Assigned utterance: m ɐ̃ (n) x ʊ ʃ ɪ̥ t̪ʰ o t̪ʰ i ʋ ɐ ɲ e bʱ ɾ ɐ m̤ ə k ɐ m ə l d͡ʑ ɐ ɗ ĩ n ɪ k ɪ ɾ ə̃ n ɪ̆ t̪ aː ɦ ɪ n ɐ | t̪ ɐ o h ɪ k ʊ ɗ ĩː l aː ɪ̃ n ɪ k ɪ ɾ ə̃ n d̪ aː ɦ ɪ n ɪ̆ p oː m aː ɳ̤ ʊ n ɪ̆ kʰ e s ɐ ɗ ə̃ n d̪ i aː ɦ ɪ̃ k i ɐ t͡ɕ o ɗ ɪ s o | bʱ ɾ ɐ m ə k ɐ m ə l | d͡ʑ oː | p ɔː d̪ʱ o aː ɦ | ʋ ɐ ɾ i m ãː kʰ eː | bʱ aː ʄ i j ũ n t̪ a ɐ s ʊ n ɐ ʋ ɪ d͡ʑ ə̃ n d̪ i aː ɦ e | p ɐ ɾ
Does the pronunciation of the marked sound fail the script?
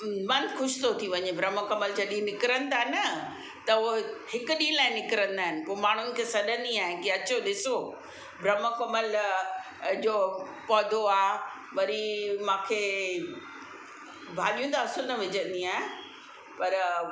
no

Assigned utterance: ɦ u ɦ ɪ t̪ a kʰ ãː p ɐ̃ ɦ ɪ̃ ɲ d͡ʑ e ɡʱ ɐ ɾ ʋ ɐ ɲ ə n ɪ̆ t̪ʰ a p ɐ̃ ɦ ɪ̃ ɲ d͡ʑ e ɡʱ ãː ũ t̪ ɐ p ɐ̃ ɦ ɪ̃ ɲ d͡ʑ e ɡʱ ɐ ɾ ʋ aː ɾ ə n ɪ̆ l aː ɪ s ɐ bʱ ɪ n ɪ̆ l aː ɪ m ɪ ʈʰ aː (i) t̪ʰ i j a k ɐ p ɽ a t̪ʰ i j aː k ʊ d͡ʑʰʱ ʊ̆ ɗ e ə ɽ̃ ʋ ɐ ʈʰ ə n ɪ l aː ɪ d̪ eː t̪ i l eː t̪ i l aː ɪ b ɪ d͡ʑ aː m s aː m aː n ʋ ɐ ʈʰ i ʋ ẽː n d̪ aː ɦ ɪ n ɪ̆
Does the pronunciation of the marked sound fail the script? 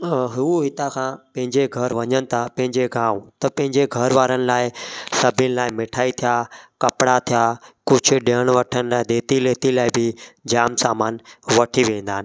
no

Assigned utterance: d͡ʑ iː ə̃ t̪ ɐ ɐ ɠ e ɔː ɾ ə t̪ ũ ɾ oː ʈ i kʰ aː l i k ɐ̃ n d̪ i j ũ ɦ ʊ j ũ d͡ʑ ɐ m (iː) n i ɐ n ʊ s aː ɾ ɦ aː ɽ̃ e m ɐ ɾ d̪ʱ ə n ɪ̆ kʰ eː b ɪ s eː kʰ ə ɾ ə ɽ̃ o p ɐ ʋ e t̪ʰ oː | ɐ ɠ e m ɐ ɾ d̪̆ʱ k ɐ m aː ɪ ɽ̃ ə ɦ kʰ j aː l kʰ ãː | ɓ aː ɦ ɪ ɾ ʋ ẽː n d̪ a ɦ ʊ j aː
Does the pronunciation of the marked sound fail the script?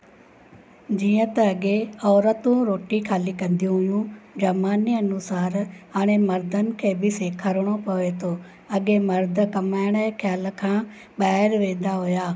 yes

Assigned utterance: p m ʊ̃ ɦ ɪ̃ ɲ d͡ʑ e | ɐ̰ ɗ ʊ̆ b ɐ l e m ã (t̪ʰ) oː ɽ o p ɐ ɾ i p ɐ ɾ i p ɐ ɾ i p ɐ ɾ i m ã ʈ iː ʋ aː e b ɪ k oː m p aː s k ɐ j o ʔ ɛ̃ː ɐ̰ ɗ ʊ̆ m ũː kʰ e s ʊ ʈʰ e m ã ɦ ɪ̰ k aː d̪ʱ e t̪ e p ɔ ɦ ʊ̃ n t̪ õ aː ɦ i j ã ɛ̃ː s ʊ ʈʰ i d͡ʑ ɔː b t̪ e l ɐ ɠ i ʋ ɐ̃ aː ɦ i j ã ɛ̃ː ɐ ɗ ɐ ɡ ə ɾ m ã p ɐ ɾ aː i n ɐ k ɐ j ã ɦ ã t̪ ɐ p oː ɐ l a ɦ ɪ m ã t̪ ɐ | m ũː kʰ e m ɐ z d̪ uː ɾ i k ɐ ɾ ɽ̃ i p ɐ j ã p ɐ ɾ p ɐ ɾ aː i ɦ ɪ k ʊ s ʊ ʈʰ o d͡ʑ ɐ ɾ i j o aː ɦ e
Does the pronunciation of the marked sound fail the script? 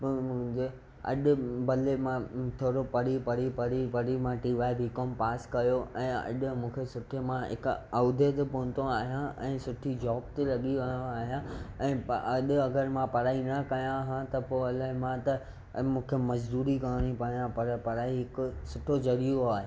no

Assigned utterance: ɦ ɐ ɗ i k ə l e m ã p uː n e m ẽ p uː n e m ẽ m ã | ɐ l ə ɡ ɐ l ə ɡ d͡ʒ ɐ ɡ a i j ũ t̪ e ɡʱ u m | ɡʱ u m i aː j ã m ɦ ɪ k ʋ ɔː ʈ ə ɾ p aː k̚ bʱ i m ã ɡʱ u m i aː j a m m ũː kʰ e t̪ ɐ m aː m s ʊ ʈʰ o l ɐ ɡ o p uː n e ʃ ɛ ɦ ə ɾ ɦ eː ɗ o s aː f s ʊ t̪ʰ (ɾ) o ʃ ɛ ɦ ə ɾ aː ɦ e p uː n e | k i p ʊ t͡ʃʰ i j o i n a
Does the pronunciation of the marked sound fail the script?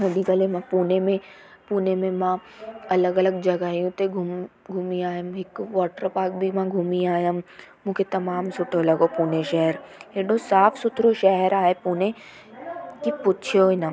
no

